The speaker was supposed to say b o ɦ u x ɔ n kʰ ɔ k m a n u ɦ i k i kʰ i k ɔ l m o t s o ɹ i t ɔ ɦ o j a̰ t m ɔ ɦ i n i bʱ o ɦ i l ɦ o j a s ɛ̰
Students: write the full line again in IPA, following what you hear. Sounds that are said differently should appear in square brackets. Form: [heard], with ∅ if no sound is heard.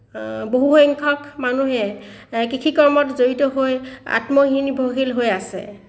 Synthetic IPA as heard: b o ɦ u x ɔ [ŋ] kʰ ɔ k m a n u ɦ [ɛ] k i kʰ i k ɔ [ɹ] m [ɔ] t [z] o ɹ i t ɔ ɦ o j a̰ t m ɔ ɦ i n i bʱ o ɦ i l ɦ o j a s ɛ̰